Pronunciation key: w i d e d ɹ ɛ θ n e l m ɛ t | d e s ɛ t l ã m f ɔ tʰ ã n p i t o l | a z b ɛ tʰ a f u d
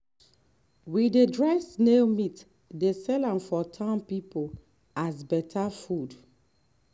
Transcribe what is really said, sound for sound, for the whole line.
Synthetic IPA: w i d e d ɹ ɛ s n e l m i t | d e s ɛ l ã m f ɔ tʰ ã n p i p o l | a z b ɛ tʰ a f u d